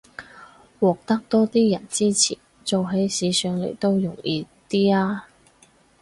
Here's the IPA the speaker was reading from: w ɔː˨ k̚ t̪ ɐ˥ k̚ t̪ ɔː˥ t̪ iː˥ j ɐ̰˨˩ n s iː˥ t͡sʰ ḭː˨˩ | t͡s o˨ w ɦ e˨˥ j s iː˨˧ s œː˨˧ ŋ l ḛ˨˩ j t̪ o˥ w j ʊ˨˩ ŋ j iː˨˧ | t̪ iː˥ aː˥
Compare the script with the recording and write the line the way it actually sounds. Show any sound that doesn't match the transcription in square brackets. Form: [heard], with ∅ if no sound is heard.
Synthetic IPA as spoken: w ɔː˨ k̚ t̪ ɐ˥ k̚ t̪ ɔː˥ t̪ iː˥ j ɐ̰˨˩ n [t͡s] iː˥ t͡sʰ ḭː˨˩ | t͡s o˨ w ɦ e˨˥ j s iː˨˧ s œː˨˧ ŋ l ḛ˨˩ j t̪ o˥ w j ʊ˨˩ ŋ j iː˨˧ | t̪ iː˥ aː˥